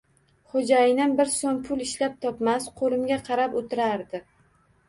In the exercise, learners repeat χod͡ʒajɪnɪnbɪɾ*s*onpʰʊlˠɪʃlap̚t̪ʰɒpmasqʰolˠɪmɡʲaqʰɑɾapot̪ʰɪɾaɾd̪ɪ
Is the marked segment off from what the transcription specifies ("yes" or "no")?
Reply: no